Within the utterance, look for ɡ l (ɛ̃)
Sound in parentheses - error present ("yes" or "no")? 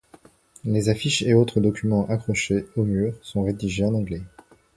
yes